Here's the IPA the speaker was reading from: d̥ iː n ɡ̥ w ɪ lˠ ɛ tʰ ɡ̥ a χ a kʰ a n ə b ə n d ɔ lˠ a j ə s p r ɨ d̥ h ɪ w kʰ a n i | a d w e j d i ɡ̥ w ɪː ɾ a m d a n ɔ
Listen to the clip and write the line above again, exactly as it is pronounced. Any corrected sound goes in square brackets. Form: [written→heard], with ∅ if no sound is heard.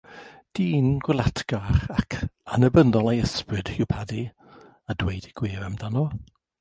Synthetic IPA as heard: d̥ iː n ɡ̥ w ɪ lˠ [ɛ→a] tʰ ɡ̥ a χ a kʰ a n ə b ə n d ɔ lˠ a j ə s p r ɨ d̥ h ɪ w [kʰ→pʰ] a [n→d] i | a d w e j d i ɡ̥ w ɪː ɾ a m d a n ɔ